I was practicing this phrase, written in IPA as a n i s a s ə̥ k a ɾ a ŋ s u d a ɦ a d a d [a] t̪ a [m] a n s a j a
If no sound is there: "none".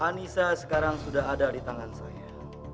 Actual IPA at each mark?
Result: i, ŋ

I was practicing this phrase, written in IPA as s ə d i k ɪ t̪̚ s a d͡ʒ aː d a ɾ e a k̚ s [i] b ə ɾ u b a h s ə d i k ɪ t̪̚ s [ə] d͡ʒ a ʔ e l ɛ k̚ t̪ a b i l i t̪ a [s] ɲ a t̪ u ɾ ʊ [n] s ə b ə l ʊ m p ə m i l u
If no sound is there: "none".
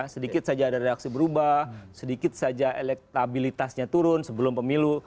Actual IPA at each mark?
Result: i, a, s, n

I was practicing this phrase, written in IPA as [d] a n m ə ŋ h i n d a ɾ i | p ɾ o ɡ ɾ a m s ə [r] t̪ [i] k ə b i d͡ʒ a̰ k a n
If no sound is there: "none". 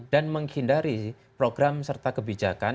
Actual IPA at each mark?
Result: d, r, a

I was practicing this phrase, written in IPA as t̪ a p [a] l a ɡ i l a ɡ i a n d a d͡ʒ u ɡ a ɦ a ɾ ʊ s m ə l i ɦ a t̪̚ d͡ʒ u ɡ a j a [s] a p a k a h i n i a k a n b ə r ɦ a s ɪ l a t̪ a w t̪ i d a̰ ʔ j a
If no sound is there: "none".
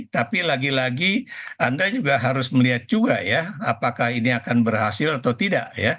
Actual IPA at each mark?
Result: i, none

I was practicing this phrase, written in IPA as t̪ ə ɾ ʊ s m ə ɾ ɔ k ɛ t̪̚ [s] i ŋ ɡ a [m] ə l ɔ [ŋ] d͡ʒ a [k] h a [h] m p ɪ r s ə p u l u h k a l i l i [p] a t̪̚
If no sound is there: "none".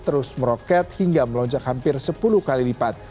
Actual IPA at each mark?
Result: h, m, ɲ, k, none, p

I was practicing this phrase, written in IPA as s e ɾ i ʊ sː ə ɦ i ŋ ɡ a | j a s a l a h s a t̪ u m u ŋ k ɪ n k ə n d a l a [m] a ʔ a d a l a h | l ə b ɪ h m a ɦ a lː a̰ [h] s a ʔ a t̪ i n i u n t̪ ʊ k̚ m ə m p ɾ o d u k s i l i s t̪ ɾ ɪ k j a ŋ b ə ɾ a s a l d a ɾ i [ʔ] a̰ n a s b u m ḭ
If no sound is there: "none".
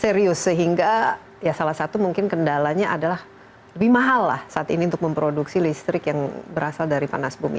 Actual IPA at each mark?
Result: ɲ, h, p

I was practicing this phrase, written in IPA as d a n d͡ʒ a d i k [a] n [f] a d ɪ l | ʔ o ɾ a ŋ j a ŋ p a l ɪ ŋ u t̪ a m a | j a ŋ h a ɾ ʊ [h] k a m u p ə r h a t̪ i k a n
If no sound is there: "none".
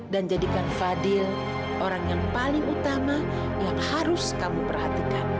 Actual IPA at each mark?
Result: a, f, s

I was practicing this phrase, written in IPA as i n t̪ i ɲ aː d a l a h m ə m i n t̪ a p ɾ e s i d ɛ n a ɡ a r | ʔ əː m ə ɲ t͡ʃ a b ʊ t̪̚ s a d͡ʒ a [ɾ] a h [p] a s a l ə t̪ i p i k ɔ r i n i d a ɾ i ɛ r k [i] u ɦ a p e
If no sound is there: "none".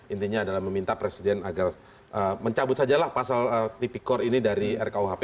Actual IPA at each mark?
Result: l, p, a

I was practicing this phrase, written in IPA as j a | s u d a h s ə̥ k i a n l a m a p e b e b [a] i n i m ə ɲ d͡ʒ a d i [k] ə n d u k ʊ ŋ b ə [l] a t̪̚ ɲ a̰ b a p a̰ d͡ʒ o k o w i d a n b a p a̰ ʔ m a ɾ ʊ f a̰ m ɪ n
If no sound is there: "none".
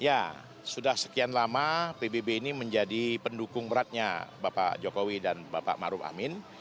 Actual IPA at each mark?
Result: e, p, ɾ

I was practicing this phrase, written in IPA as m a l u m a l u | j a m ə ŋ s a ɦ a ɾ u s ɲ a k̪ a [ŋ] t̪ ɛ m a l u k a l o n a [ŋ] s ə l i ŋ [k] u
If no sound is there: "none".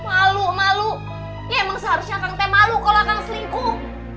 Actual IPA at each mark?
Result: ŋ, ŋ, k

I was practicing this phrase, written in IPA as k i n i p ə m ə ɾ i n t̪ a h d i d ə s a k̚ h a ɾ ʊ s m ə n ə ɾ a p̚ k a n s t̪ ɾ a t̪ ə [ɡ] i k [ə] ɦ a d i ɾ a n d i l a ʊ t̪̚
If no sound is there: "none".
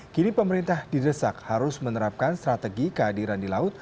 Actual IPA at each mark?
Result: ɡ, ə

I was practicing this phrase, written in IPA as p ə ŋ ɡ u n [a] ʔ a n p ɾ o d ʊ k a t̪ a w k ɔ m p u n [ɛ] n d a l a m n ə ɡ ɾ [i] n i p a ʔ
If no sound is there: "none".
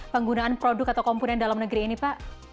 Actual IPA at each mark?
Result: a, ɛ, iː

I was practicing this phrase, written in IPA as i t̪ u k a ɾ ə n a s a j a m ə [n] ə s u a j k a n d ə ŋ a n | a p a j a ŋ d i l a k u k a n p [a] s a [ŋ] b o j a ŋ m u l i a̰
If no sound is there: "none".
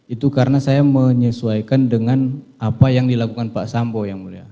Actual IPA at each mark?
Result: ɲ, a, m

